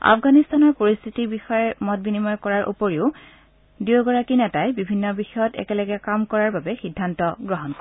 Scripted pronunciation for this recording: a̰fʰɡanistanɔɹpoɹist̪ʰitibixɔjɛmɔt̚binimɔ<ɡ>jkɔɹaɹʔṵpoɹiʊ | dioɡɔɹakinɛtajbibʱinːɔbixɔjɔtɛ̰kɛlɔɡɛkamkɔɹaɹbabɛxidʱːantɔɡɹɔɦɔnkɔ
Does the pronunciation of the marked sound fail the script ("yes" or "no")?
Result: yes